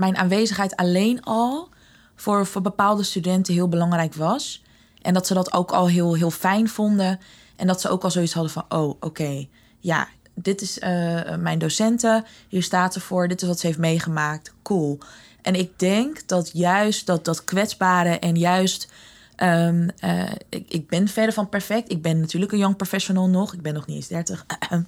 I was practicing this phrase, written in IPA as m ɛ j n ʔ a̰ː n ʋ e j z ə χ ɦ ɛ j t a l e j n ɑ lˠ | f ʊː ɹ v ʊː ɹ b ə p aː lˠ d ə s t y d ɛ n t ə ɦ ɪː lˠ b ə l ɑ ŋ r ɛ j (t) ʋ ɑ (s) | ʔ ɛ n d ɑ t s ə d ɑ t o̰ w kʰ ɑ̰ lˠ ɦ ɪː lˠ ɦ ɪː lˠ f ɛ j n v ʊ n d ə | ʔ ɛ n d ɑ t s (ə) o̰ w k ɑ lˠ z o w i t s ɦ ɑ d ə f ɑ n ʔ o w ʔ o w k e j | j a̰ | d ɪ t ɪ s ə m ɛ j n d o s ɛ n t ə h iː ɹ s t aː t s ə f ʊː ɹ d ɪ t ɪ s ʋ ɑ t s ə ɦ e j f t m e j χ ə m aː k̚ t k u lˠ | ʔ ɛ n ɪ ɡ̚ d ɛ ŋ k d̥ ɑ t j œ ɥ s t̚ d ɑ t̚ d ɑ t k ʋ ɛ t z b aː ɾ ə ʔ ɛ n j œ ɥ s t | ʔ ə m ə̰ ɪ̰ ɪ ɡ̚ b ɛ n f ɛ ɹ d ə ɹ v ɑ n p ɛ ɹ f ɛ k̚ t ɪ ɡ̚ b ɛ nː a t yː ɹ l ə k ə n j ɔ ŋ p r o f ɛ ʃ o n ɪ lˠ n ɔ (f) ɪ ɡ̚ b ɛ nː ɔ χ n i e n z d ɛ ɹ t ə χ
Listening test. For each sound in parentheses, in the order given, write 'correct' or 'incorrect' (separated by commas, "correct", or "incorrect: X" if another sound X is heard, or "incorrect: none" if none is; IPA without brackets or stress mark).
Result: incorrect: k, correct, correct, incorrect: χ